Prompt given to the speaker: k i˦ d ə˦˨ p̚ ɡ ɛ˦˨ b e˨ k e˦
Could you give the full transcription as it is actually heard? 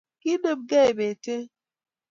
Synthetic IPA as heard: k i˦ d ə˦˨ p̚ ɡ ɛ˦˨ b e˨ t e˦